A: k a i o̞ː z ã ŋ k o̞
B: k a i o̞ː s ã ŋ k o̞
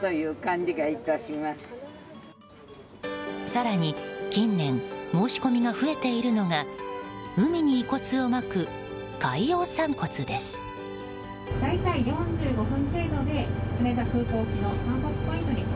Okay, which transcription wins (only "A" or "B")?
B